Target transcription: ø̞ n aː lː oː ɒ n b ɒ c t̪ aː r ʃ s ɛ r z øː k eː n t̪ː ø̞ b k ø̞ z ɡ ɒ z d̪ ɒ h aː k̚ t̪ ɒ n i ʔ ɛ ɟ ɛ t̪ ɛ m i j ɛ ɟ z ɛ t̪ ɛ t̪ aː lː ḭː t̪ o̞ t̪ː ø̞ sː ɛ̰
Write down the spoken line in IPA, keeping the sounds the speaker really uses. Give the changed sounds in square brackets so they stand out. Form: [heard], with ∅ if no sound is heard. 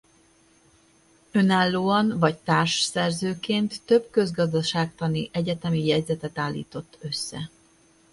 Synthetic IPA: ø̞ n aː lː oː ɒ n [v] ɒ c t̪ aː r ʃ s ɛ r z øː k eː n t̪ː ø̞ b k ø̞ z ɡ ɒ z d̪ ɒ [ʃ] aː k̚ t̪ ɒ n i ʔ ɛ ɟ ɛ t̪ ɛ m i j ɛ ɟ z ɛ t̪ ɛ t̪ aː lː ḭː t̪ o̞ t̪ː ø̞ sː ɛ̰